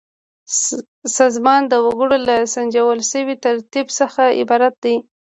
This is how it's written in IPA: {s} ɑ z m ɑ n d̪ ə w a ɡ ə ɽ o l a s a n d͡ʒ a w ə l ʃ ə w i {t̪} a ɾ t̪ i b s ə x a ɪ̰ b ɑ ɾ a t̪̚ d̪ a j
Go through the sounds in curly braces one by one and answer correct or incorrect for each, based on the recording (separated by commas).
correct, correct